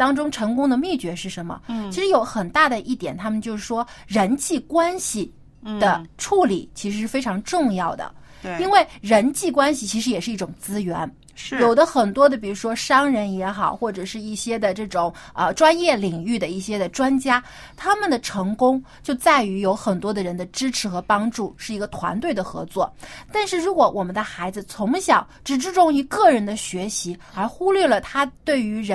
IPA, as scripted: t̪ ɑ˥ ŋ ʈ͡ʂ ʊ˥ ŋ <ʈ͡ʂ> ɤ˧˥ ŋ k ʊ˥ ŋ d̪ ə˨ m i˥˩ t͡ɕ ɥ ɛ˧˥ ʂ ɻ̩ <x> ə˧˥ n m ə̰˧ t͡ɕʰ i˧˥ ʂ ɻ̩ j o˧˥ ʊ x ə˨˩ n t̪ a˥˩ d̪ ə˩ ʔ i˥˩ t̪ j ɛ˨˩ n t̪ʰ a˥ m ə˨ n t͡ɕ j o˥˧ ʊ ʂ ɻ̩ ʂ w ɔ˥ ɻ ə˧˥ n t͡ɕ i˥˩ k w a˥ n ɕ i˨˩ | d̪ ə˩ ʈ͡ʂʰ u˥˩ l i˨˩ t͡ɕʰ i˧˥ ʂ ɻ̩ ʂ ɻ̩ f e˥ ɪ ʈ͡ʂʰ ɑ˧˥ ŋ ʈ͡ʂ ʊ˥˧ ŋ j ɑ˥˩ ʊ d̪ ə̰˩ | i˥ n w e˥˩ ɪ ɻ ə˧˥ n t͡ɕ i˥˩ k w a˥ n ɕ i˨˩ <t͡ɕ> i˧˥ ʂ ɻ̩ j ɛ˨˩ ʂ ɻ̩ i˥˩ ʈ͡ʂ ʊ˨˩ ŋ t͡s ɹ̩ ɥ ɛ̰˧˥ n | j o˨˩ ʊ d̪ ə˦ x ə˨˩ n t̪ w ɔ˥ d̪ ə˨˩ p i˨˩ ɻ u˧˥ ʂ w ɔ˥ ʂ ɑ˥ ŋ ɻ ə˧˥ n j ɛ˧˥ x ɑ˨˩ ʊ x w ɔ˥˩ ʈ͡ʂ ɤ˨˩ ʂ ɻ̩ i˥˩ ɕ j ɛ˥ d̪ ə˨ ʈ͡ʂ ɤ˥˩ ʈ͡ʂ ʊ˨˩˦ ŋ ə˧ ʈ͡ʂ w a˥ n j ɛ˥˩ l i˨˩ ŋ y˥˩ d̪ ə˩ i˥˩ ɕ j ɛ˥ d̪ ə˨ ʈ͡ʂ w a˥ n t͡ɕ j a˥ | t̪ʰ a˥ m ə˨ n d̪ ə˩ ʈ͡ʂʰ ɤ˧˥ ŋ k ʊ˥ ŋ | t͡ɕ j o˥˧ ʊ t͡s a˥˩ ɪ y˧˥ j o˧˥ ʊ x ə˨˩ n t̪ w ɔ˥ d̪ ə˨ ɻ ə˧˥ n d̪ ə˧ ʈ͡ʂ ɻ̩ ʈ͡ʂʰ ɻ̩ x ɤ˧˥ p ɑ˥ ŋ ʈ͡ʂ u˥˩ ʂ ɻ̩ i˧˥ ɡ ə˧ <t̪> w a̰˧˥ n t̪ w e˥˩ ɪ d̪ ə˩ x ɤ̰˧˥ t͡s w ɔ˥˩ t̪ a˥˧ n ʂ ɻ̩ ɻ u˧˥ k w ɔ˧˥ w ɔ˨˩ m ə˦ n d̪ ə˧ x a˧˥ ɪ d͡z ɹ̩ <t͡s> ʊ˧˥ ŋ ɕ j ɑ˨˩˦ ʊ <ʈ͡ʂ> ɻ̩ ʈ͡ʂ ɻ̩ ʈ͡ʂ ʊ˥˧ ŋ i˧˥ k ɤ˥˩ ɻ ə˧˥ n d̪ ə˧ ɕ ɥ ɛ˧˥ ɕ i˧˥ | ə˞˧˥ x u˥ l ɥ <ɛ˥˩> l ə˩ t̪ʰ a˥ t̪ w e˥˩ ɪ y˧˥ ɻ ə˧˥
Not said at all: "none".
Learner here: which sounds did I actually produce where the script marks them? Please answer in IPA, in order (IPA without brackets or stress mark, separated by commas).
ʈ͡ʂʰ, ʂ, t͡ɕʰ, t̪ʰ, t͡sʰ, ʈ͡ʂ, ɛ˥˩